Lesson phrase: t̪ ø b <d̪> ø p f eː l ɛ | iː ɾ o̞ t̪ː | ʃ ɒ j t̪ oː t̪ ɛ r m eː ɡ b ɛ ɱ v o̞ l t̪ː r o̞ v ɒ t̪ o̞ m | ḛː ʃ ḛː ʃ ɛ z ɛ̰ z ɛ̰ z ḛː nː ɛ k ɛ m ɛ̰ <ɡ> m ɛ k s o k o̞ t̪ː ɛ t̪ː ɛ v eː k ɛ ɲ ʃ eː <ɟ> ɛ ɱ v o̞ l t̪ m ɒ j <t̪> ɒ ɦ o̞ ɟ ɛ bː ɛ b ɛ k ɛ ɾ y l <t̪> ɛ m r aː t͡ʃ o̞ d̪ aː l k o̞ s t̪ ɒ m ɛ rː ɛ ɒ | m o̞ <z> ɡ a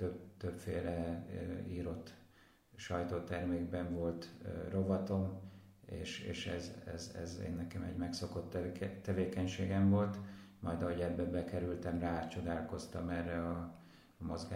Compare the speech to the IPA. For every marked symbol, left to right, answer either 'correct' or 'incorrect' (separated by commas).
incorrect, incorrect, incorrect, incorrect, correct, correct